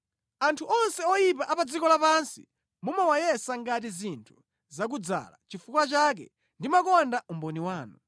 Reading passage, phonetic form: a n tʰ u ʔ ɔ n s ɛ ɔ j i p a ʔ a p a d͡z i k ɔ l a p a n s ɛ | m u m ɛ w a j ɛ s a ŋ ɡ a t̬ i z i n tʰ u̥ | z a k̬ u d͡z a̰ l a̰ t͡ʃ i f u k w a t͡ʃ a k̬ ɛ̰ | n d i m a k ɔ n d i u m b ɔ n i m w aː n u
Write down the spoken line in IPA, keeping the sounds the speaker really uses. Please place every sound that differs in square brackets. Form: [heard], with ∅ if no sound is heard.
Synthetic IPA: a n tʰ u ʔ ɔ n s ɛ ɔ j i p a ʔ a p a d͡z i k ɔ l a p a n s [i] | m u m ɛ w a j ɛ s a ŋ ɡ a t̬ i z i n tʰ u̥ | z a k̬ u d͡z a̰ l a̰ t͡ʃ i f u k w a t͡ʃ a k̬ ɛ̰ | n d i m a k ɔ n d [a] u m b ɔ n i [∅] w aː n u